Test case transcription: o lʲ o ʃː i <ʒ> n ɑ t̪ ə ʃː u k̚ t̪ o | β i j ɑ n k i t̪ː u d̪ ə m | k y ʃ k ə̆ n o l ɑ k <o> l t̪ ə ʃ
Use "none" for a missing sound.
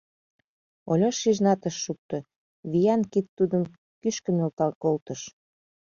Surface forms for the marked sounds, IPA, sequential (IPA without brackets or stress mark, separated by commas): ʒ, o